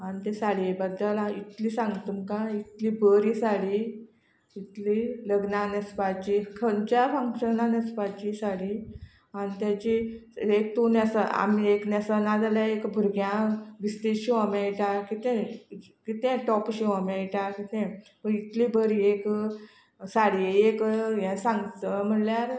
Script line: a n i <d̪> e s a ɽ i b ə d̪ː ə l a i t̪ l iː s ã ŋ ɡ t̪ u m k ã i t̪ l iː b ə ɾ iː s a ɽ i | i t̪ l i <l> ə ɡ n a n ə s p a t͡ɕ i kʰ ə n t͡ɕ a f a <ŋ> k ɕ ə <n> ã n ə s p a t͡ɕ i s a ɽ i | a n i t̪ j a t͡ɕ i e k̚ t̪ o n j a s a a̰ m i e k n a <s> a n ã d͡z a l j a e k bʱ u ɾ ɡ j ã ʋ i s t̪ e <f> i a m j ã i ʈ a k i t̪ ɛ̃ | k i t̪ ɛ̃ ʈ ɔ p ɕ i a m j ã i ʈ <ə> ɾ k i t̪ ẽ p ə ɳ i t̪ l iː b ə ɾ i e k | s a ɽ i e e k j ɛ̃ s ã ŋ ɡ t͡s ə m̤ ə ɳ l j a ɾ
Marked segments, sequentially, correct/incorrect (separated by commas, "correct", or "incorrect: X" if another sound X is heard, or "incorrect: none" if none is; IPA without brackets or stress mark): incorrect: t̪, correct, correct, correct, correct, incorrect: ɕ, incorrect: a